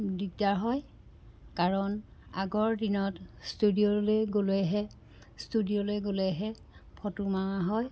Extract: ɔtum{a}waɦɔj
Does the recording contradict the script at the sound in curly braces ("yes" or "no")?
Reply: no